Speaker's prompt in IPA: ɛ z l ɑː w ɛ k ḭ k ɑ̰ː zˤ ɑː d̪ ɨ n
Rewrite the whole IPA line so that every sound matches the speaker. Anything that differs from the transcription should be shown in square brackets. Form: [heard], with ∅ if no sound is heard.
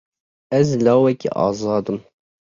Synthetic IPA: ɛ z l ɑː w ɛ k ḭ [ʔ] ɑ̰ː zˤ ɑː d̪ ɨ [m]